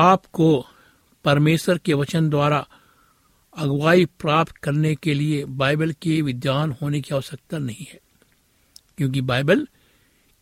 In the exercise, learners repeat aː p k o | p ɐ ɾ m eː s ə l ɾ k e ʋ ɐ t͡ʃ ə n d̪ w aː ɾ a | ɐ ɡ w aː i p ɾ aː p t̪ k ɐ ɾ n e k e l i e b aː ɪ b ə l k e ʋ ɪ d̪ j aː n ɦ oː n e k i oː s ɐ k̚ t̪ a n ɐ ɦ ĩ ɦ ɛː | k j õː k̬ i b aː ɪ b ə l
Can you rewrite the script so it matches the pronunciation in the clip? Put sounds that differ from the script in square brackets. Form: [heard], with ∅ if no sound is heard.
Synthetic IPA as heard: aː p k o | p ɐ ɾ m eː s ə [∅] ɾ k e ʋ ɐ t͡ʃ ə n d̪ w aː ɾ a | ɐ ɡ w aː i p ɾ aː p t̪ k ɐ ɾ n e k e l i e b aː ɪ b ə l k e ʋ ɪ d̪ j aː n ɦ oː n e k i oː s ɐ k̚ t̪ a n ɐ ɦ ĩ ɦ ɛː | k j õː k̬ i b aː ɪ b ə l